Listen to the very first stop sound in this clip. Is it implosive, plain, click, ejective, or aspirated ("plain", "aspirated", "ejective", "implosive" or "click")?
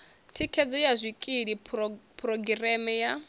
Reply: aspirated